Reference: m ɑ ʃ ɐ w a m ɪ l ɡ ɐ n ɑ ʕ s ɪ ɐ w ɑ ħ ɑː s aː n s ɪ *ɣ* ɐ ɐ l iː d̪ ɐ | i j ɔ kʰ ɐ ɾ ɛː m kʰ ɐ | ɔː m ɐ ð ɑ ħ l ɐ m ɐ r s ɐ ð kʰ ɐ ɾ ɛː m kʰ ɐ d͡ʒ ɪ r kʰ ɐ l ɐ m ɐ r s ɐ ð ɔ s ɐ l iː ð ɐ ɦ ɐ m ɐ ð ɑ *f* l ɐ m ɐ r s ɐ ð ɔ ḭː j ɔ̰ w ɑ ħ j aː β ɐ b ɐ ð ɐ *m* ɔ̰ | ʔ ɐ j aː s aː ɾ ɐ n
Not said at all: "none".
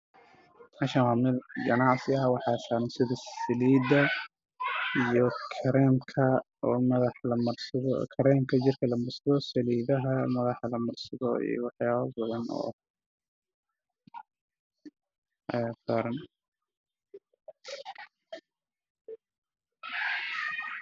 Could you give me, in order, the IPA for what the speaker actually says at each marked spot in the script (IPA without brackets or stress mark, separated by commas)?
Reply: ð, ħ, n